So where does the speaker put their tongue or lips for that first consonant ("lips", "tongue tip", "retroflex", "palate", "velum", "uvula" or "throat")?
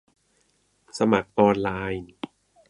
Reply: tongue tip